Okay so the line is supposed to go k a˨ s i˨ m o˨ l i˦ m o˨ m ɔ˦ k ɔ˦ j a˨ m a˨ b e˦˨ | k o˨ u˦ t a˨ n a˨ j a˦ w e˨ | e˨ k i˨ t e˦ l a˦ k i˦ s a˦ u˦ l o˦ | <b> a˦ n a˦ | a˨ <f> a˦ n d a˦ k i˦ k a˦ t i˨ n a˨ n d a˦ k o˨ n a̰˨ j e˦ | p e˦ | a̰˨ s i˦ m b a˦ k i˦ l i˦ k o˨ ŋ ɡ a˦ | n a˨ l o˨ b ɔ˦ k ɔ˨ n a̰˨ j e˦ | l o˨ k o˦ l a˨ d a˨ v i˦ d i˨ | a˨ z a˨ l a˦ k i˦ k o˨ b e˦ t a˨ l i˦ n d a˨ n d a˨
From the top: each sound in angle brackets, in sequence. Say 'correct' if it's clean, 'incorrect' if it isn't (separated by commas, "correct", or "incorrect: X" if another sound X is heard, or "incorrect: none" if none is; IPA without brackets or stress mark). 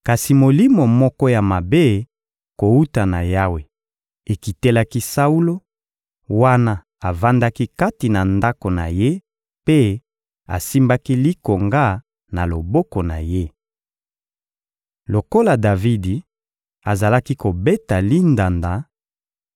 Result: incorrect: w, incorrect: v